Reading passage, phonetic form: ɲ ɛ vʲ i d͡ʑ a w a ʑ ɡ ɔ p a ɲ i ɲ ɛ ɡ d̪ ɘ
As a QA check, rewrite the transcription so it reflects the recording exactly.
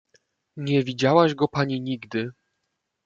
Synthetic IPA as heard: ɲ ɛ vʲ i d͡ʑ a w a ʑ ɡ ɔ p a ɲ i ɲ i ɡ d̪ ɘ